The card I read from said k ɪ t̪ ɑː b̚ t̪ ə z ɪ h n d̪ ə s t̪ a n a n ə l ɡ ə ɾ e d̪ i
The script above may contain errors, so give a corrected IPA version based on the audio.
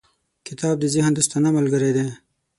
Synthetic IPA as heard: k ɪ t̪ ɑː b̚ d̪ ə z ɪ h n d̪ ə s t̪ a n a m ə l ɡ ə ɾ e d̪ e